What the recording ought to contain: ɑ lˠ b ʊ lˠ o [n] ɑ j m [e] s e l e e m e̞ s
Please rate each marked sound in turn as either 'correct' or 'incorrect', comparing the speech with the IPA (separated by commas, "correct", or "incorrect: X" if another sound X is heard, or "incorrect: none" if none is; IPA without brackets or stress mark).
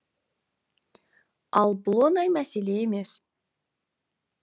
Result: correct, incorrect: æ